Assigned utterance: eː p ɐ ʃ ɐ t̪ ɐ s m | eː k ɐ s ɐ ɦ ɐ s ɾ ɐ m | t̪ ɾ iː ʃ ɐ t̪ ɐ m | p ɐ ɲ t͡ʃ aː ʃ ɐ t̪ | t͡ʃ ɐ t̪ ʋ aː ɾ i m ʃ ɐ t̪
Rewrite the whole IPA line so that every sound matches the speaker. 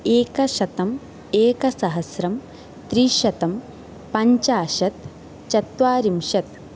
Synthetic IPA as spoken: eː k ɐ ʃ ɐ t̪ ɐ m | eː k ɐ s ɐ ɦ ɐ s ɾ ɐ m | t̪ ɾ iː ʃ ɐ t̪ ɐ m | p ɐ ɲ t͡ʃ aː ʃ ɐ t̪ | t͡ʃ ɐ t̪ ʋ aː ɾ i m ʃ ɐ t̪